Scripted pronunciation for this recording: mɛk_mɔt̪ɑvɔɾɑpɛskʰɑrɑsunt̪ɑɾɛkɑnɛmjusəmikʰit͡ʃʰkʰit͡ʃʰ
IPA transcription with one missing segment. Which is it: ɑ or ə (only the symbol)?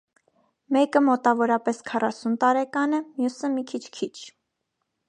ə